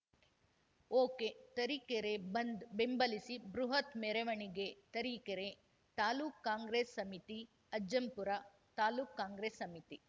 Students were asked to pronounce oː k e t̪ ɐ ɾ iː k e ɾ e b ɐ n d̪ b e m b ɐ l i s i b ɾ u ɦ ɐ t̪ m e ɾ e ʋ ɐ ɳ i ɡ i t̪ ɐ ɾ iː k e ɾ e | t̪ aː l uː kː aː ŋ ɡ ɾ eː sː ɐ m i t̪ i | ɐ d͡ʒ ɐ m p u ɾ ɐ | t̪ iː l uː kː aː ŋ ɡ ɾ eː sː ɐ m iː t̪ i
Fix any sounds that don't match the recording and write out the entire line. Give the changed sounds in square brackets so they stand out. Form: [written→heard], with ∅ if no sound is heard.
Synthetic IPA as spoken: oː k e t̪ ɐ ɾ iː k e ɾ e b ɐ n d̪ b e m b ɐ l i s i b ɾ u ɦ ɐ t̪ m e ɾ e ʋ ɐ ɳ i ɡ [i→e] t̪ ɐ ɾ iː k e ɾ e | t̪ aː l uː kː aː ŋ ɡ ɾ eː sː ɐ m i t̪ i | ɐ d͡ʒ ɐ m p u ɾ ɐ | t̪ [iː→aː] l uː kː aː ŋ ɡ ɾ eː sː ɐ m [iː→i] t̪ i